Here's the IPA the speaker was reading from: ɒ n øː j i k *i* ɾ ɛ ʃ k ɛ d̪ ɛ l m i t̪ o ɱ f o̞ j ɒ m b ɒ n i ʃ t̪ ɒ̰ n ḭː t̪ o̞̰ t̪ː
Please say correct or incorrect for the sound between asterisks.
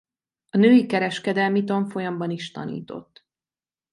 incorrect